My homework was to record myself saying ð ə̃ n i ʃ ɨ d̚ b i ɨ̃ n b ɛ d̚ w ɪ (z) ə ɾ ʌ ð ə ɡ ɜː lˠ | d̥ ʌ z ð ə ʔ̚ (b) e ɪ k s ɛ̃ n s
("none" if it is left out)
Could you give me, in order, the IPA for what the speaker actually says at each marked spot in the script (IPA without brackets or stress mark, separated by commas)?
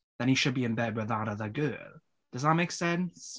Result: ð, m